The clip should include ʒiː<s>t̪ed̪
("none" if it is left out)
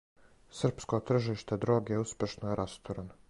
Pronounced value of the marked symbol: ʃ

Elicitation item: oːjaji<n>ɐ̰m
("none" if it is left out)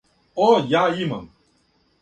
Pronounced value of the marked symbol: m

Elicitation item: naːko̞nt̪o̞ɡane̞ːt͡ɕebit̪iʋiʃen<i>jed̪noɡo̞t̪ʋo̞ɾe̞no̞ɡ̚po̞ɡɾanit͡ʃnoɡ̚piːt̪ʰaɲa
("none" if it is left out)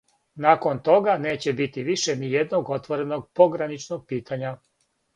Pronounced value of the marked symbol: i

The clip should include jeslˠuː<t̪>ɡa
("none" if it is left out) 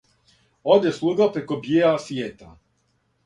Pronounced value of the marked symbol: none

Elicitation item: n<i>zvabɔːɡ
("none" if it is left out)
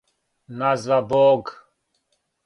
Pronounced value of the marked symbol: a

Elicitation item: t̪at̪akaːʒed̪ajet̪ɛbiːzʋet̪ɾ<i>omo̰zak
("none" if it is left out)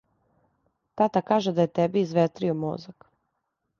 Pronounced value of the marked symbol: i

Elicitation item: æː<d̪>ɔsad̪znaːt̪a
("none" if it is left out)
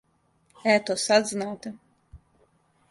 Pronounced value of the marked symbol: t̪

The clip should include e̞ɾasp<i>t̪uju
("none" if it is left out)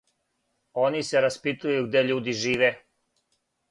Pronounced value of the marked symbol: i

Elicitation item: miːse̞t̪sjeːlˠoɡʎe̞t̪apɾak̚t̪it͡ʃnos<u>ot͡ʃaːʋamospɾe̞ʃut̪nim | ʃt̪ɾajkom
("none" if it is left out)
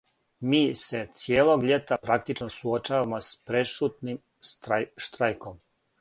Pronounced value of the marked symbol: u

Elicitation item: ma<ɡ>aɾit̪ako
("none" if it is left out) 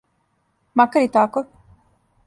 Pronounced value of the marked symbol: k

